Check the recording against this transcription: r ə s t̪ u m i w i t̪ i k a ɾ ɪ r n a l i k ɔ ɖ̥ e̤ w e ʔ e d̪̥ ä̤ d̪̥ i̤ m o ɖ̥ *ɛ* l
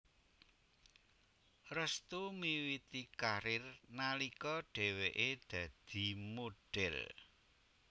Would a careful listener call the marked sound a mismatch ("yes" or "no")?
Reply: no